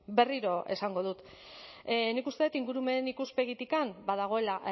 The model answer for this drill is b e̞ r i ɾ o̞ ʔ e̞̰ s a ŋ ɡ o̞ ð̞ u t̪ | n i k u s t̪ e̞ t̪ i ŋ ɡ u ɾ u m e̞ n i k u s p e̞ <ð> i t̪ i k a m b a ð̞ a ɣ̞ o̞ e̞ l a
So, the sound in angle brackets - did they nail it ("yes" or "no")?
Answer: no